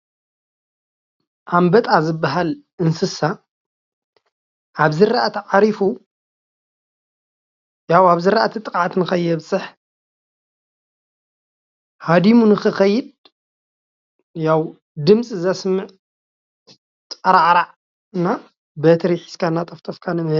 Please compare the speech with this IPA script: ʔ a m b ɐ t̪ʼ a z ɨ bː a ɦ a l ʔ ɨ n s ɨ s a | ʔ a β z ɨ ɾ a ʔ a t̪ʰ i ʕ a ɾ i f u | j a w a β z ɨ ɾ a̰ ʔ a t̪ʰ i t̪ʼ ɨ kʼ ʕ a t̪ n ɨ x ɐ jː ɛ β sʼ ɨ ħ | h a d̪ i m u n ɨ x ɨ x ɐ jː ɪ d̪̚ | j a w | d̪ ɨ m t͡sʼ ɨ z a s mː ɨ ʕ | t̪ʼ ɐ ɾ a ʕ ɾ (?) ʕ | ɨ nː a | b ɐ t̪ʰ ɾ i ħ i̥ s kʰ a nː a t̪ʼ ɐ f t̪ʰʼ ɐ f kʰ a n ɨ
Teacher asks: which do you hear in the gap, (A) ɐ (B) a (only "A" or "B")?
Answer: B